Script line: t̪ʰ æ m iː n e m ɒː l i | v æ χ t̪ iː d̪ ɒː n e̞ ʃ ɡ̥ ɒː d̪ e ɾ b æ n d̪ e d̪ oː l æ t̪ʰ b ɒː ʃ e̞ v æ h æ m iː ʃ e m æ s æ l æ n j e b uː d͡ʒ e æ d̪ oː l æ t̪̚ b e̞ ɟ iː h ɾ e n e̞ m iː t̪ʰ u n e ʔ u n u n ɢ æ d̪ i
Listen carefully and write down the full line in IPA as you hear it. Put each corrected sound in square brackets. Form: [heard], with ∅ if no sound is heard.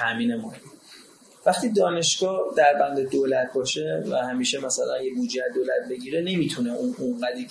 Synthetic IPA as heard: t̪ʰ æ m iː n e m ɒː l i | v æ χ t̪ iː d̪ ɒː n e̞ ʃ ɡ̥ ɒː d̪ [æ] ɾ b æ n d̪ e d̪ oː l æ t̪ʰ b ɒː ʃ e̞ v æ h æ m iː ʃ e m æ s æ l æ n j e b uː d͡ʒ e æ d̪ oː l æ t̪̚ b e̞ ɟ iː [∅] ɾ e n e̞ m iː t̪ʰ u n e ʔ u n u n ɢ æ d̪ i